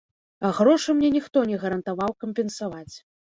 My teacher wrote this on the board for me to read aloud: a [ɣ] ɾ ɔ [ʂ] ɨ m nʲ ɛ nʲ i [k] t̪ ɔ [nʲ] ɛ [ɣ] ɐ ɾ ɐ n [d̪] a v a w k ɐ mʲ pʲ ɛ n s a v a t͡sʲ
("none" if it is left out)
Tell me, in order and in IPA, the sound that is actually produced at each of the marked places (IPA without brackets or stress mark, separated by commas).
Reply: ɣ, ʂ, x, nʲ, ɣ, t̪